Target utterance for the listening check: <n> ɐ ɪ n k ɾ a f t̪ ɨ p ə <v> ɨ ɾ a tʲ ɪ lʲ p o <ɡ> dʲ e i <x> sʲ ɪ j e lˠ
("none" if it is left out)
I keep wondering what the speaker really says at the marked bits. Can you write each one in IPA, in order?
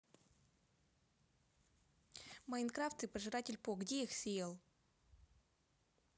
m, ʐ, ɡ, x

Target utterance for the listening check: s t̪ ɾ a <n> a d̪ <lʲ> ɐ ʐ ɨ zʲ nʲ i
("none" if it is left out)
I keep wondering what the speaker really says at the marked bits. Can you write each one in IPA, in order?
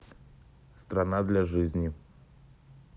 n, lʲ

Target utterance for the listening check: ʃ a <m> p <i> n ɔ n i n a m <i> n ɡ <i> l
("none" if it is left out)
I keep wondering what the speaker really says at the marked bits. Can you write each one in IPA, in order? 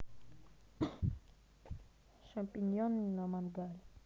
m, i, a, a

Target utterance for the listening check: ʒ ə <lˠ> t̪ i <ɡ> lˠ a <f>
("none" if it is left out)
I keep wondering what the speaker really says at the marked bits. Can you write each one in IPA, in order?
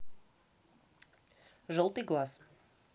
lˠ, ɡ, s

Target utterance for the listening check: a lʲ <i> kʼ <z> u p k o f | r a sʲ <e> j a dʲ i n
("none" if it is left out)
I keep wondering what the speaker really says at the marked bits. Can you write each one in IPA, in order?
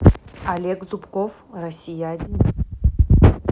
e, z, i

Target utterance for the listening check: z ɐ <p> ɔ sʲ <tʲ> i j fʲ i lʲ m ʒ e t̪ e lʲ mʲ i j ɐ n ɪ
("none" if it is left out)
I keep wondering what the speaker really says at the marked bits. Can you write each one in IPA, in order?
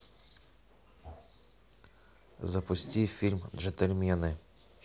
p, tʲ

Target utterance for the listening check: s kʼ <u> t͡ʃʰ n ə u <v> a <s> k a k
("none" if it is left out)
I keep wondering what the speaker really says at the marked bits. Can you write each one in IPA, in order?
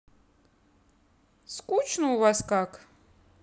u, v, s

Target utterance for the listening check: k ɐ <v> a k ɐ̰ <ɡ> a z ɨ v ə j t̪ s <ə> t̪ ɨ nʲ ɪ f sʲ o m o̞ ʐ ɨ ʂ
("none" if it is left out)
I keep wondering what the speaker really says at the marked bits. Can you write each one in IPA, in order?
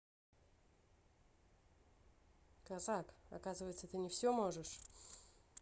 z, k, ə

